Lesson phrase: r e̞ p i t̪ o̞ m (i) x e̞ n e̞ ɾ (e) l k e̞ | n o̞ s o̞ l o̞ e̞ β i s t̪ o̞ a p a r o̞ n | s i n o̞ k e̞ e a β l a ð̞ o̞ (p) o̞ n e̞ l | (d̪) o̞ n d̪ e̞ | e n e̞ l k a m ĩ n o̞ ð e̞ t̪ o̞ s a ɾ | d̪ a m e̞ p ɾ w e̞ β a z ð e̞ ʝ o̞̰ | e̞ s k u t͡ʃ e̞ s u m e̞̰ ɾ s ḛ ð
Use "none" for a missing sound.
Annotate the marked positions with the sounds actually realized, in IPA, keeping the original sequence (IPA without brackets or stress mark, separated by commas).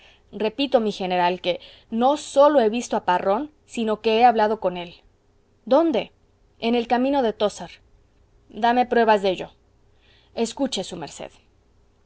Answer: i, a, k, d̪